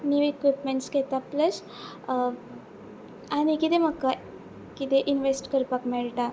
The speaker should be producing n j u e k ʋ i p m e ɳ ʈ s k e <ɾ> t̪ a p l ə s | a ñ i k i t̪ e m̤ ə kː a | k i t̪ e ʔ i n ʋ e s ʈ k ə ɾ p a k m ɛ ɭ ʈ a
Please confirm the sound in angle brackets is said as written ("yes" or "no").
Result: no